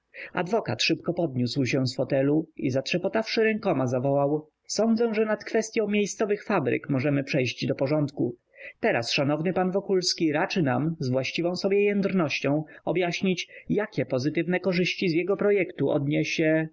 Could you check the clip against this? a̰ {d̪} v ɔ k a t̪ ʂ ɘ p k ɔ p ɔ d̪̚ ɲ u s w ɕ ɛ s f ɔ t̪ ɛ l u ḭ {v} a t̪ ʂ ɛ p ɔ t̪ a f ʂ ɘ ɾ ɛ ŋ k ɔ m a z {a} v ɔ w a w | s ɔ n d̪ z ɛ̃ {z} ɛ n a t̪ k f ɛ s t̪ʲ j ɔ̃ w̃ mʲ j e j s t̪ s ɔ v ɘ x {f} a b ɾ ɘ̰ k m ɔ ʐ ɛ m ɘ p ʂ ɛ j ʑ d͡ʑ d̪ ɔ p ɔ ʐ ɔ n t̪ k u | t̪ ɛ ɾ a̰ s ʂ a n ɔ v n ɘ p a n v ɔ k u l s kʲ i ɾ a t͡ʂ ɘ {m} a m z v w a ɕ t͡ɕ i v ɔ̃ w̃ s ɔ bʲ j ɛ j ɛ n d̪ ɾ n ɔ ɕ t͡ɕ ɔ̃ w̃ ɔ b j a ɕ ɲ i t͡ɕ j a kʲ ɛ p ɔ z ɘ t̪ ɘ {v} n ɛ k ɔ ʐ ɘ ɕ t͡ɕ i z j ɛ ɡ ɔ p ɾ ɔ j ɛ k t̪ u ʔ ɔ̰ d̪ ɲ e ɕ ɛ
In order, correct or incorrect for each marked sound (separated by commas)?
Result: correct, incorrect, correct, incorrect, correct, incorrect, correct